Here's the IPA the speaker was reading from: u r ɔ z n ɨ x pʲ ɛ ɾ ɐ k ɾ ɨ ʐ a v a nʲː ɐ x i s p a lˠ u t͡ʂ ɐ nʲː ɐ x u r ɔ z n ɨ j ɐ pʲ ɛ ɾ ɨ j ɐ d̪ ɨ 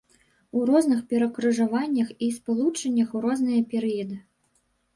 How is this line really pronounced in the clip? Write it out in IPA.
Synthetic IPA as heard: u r ɔ z n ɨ x pʲ ɛ ɾ ɐ k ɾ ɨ ʐ a v a nʲː ɐ x i s p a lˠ u t͡ʂ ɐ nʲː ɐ x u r ɔ z n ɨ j ɐ pʲ ɛ ɾ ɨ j ɐ d̪ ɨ